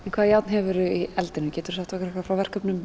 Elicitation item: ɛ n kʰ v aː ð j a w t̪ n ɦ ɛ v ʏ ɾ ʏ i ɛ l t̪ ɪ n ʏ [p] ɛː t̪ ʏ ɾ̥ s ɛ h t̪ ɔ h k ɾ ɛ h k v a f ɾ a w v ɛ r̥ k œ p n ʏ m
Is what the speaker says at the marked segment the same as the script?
no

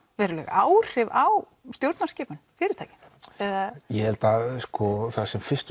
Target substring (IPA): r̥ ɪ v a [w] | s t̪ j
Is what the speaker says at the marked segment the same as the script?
yes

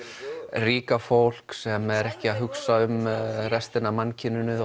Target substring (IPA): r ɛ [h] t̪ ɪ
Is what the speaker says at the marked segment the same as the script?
no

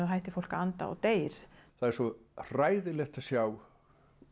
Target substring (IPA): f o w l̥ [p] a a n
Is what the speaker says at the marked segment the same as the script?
no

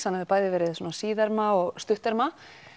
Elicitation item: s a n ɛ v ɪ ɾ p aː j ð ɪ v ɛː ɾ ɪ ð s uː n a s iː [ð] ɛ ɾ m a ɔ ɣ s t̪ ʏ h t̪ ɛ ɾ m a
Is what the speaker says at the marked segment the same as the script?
yes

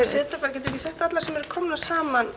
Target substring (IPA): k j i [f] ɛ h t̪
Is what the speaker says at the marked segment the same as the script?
no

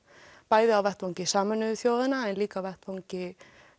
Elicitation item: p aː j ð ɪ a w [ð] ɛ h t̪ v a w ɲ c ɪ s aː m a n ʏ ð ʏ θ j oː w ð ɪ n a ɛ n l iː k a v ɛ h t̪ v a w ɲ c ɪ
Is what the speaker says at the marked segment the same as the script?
no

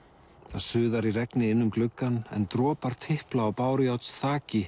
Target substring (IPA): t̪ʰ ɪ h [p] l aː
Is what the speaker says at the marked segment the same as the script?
yes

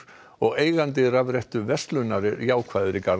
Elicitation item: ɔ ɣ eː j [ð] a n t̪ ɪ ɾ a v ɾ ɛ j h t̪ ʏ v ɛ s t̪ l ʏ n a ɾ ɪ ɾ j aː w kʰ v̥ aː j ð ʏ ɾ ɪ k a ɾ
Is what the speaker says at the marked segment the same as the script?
no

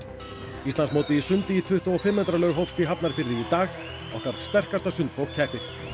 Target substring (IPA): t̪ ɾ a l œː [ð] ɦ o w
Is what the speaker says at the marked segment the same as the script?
no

